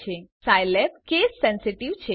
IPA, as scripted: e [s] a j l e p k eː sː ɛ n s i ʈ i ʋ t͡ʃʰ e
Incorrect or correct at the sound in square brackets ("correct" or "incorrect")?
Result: correct